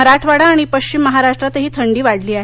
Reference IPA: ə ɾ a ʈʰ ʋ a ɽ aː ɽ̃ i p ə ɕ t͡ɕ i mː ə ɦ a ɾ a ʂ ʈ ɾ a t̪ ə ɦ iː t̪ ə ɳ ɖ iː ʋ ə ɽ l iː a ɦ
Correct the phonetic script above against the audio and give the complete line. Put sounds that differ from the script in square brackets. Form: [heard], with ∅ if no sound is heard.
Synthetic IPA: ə ɾ a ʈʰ ʋ a ɽ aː ɽ̃ i p ə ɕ t͡ɕ i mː ə ɦ a ɾ a ʂ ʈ ɾ a t̪ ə ɦ iː [t̪ʰ] ə ɳ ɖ iː ʋ [a] ɽ l iː a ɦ